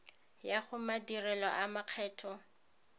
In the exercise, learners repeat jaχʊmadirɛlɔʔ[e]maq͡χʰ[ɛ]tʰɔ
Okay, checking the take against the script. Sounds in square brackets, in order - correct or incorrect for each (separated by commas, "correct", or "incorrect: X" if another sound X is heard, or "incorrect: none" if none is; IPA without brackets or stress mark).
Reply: incorrect: a, incorrect: ɛː